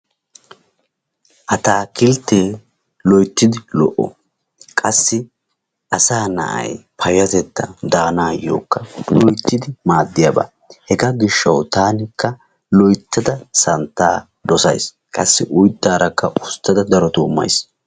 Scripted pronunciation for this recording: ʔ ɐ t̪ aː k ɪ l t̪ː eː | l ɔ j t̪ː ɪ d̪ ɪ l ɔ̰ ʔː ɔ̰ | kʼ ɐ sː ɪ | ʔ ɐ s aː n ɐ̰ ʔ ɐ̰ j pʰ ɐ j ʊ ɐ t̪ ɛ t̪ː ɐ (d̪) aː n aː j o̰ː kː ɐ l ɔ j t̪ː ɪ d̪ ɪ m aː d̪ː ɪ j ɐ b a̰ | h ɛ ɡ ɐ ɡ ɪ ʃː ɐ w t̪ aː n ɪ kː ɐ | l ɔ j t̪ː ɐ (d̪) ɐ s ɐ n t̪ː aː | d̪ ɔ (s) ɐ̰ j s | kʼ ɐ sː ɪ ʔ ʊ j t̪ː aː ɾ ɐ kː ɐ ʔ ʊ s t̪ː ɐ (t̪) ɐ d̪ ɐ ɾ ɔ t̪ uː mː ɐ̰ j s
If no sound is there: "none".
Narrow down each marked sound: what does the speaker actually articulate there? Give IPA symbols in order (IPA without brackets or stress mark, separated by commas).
d̪, d̪, s, d̪